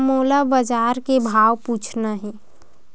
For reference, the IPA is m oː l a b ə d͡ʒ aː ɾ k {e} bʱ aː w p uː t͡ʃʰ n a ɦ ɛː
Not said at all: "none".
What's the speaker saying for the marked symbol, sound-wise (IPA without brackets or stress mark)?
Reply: e